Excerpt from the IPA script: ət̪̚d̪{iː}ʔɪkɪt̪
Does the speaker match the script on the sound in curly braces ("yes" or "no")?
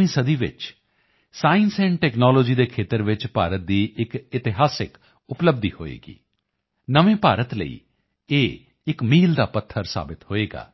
yes